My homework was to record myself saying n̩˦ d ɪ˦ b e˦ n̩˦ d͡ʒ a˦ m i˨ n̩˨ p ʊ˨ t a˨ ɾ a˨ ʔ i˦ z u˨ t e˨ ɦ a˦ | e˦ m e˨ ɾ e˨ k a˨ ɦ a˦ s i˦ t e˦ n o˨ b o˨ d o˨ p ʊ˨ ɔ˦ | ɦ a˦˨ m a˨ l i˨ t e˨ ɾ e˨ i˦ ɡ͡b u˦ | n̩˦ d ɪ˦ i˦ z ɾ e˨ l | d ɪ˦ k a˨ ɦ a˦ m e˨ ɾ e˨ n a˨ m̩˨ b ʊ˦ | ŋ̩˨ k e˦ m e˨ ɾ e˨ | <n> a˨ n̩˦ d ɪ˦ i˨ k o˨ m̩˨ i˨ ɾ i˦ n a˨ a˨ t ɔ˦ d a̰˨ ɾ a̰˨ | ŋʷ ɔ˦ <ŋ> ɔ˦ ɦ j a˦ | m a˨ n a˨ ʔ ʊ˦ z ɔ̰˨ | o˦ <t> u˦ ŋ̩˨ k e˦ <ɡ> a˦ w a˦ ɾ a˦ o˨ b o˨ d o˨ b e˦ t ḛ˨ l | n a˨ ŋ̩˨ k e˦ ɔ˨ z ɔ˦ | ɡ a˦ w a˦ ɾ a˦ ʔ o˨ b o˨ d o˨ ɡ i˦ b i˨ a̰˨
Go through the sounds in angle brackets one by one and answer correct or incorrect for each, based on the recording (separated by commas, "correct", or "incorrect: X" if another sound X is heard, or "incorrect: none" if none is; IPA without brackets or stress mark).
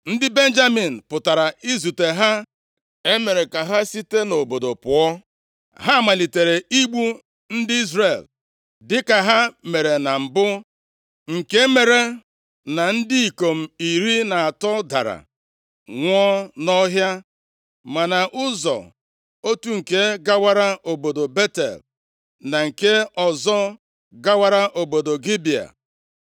correct, incorrect: n, correct, correct